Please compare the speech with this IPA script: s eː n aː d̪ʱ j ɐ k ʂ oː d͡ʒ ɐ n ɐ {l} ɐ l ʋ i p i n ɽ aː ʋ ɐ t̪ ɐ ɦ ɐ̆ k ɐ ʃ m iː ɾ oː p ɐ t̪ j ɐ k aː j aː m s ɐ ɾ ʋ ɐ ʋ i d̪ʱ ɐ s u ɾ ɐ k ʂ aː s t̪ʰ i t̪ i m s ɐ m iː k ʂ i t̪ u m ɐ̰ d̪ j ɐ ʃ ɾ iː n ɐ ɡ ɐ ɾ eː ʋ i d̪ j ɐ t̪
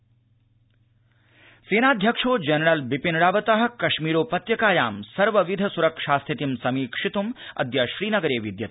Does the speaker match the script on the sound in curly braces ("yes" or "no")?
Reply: no